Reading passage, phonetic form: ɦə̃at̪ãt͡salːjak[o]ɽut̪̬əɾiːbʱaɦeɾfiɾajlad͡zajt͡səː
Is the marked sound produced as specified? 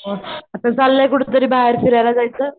no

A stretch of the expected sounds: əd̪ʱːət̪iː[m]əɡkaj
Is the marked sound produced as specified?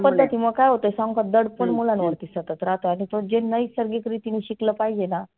yes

